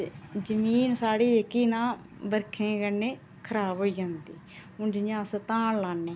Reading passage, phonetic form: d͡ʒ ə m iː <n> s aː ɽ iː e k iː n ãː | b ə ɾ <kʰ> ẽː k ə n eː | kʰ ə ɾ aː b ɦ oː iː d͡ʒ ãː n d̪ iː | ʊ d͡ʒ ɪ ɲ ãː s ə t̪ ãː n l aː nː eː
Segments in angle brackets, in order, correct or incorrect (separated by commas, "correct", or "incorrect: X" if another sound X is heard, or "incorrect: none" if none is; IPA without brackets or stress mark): correct, correct